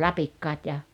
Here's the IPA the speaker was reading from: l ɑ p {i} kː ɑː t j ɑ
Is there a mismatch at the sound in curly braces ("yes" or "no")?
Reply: no